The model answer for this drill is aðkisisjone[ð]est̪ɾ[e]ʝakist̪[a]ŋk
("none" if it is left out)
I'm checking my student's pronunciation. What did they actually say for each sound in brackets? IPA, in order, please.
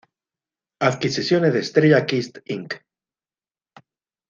ð, e, i

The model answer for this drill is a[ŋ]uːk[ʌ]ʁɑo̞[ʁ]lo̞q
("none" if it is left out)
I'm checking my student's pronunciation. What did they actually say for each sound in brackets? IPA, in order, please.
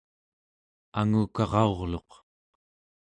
ŋ, ɑ, ʁ

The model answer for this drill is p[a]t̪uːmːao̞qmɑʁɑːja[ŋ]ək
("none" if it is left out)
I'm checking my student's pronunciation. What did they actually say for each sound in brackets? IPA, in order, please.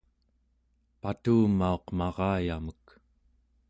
a, m

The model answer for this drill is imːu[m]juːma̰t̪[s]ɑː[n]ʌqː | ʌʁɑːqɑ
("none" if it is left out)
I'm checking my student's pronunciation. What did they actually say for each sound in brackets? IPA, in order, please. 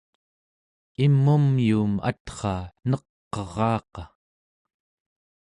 m, χ, n

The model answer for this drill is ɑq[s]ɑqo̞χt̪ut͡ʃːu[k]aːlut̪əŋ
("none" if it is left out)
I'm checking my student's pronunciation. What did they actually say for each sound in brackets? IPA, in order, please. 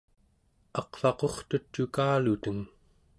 f, k

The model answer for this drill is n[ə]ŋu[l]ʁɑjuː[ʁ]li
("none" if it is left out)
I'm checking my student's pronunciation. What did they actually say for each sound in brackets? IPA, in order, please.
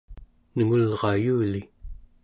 ə, l, none

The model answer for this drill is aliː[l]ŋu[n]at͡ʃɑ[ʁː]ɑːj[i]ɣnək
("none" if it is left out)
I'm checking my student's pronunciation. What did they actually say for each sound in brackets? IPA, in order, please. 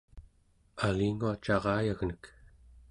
none, none, ʁ, a

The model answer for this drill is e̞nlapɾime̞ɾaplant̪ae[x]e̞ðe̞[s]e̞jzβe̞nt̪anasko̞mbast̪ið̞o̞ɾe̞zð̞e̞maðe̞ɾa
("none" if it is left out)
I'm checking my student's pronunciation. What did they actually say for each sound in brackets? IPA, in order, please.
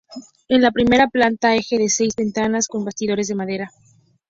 x, s

